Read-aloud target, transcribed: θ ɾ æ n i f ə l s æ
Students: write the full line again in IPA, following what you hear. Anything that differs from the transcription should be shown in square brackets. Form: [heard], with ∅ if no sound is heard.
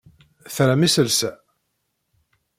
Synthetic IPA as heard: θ ɾ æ [m] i [s] ə l s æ